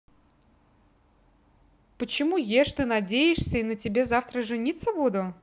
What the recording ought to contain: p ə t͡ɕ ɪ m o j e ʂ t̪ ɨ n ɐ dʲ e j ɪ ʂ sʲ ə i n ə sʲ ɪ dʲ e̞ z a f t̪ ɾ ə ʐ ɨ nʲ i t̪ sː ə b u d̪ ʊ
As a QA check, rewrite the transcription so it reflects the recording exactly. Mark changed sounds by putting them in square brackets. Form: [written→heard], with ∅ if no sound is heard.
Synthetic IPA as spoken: p ə t͡ɕ ɪ m [o→u] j e ʂ t̪ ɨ n ɐ dʲ e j ɪ ʂ sʲ ə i n ə [sʲ→tʲ] ɪ [dʲ→bʲ] e̞ z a f t̪ ɾ ə ʐ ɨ nʲ i t̪ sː ə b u d̪ ʊ